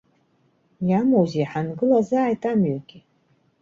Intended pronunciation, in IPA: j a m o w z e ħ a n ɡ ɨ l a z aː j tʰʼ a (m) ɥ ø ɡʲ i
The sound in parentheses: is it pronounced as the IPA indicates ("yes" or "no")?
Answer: yes